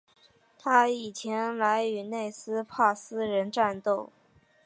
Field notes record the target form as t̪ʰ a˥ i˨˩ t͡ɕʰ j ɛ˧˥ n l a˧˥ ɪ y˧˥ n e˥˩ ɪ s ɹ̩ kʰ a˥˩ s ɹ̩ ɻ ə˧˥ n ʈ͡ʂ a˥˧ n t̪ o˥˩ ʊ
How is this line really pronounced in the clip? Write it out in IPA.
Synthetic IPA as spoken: t̪ʰ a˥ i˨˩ t͡ɕʰ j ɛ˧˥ n l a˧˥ ɪ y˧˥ n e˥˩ ɪ s ɹ̩ pʰ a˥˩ s ɹ̩ ɻ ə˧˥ n ʈ͡ʂ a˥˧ n t̪ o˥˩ ʊ

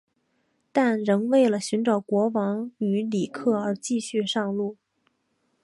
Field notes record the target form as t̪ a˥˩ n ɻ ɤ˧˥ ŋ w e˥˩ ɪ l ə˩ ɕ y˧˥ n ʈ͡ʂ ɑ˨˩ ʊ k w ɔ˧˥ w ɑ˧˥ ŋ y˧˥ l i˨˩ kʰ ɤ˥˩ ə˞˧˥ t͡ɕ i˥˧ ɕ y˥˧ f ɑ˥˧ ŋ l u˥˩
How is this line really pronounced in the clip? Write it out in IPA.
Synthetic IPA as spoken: t̪ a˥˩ n ɻ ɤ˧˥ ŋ w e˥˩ ɪ l ə˩ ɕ y˧˥ n ʈ͡ʂ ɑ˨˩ ʊ k w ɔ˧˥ w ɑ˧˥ ŋ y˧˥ l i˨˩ kʰ ɤ˥˩ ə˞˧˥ t͡ɕ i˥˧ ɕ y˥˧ ʂ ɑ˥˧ ŋ l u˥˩

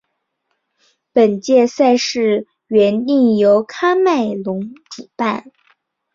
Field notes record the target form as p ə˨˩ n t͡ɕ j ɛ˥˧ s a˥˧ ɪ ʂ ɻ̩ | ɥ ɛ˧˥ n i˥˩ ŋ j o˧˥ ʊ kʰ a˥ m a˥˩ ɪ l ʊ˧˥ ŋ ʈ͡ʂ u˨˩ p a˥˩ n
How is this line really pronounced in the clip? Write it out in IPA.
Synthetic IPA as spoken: p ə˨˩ n t͡ɕ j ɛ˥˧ s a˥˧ ɪ ʂ ɻ̩ | ɥ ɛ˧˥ n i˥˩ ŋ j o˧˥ ʊ kʰ a˥ m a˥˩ ɪ l ʊ˧˥ ŋ ʈ͡ʂ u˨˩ p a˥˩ n

